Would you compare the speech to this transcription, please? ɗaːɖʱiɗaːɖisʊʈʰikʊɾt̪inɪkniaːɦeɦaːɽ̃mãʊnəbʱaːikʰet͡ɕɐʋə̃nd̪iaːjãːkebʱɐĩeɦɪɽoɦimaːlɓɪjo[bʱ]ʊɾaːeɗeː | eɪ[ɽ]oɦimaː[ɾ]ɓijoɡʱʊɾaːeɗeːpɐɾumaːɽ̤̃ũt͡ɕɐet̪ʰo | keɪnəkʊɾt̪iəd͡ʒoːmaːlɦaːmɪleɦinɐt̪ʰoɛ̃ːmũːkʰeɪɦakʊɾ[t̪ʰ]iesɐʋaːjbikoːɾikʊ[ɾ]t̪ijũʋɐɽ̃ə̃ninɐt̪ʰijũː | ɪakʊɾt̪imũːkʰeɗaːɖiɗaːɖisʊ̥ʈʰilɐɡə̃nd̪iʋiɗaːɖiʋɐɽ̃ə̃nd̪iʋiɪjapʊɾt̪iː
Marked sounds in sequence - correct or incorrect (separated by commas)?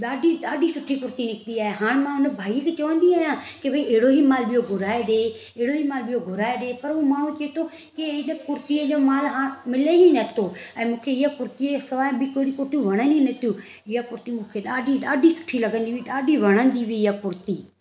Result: incorrect, correct, incorrect, incorrect, correct